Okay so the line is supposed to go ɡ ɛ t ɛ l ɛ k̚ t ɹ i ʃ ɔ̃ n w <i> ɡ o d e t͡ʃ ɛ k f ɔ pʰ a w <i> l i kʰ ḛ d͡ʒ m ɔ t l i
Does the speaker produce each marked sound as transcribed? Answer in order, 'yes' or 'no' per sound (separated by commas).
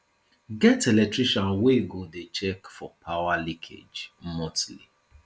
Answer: no, no